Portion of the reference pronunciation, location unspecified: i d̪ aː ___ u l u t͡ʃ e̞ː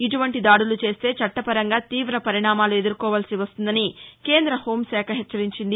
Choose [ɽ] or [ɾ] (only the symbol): ɽ